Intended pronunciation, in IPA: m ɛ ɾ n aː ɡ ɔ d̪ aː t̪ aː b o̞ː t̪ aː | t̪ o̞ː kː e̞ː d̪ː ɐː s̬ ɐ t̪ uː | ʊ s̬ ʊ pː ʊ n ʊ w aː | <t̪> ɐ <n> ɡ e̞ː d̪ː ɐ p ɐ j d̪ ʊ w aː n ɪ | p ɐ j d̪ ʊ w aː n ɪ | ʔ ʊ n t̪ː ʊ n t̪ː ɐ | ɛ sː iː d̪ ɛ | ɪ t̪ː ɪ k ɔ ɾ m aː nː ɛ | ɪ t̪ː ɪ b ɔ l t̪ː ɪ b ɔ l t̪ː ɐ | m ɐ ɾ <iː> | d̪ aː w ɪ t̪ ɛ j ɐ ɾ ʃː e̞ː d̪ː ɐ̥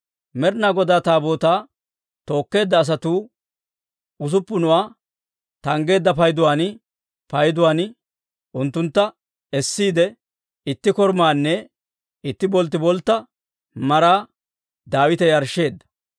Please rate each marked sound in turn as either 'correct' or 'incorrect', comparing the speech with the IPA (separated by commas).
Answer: correct, incorrect, incorrect